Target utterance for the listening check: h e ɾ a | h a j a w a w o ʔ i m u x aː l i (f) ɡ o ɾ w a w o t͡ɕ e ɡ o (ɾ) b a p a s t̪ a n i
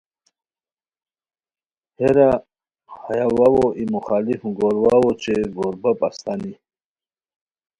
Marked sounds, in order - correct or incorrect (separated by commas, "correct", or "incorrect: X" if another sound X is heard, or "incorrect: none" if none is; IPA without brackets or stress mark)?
correct, correct